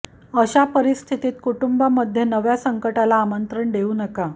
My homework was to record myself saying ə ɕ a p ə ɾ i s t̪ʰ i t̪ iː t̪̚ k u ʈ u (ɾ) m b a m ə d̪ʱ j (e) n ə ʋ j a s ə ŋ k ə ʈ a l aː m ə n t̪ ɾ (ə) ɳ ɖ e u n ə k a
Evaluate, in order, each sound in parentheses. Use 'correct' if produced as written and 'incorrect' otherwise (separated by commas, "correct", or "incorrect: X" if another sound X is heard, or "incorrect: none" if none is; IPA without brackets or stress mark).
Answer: incorrect: none, correct, correct